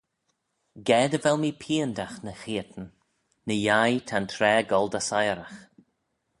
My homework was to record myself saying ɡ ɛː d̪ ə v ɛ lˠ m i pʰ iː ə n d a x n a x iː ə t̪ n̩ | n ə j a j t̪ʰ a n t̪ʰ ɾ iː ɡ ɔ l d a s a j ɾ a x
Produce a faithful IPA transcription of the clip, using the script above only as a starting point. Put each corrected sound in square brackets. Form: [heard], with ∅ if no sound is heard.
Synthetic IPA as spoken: ɡ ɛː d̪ ə v ɛ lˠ m i pʰ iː ə n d a x n [ə] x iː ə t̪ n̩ | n ə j a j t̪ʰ a n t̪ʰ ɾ [ɛː] ɡ ɔ l d a s a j ɾ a x